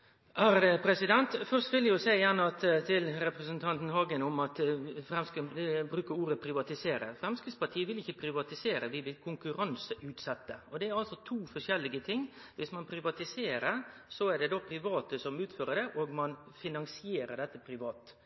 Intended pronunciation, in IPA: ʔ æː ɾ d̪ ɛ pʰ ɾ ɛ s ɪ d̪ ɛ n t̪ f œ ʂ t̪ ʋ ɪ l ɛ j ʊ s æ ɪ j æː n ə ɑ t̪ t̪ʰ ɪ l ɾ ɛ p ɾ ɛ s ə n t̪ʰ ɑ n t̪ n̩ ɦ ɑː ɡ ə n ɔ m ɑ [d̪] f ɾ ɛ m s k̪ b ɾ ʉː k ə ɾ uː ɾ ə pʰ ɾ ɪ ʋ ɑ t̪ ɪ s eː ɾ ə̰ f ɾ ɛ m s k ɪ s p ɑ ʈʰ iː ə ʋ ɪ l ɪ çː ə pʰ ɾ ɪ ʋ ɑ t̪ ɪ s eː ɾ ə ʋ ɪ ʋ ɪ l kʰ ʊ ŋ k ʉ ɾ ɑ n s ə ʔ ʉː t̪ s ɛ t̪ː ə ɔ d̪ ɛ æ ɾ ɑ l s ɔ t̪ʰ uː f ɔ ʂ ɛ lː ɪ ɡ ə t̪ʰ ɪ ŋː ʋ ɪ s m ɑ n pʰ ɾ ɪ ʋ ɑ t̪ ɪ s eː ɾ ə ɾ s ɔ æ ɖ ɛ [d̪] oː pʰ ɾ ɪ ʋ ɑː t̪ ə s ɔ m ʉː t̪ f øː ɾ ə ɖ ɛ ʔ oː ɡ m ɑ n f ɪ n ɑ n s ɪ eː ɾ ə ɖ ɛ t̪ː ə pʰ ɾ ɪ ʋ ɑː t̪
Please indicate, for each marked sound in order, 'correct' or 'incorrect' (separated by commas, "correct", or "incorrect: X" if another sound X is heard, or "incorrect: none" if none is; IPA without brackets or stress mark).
incorrect: t̪, correct